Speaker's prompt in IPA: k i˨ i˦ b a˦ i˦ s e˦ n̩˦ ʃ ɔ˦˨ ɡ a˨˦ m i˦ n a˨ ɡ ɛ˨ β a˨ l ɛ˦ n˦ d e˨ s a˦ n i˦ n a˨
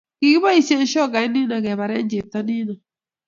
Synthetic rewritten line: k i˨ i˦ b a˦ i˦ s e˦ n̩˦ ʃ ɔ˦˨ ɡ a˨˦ n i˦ n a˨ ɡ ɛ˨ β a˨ ɾ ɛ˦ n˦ d͡ʒ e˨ t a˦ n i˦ n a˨